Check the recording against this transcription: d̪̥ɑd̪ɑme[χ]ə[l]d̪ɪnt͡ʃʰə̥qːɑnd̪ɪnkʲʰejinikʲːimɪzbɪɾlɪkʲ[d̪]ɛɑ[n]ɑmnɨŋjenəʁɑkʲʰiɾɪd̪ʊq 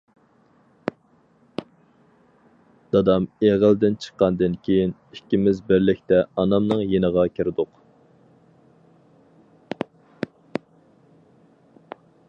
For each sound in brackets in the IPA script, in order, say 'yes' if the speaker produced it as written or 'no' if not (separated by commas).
no, yes, no, yes